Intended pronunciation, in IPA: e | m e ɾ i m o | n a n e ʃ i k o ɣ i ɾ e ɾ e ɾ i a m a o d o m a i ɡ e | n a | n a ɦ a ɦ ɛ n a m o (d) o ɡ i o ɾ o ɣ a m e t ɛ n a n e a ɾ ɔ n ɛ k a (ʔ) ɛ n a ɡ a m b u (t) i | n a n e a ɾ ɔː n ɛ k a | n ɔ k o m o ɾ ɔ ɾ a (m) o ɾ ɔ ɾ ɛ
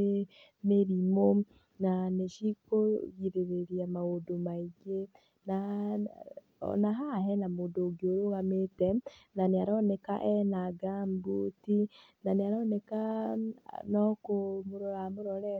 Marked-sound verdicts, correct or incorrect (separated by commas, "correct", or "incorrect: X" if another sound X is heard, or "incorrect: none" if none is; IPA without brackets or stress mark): correct, correct, correct, correct